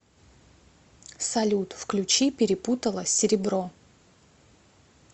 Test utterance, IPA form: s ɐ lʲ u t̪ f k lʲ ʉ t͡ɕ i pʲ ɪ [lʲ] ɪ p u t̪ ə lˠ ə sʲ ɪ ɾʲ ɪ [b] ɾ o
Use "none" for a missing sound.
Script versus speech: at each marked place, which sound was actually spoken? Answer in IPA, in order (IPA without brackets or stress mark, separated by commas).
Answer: ɾʲ, b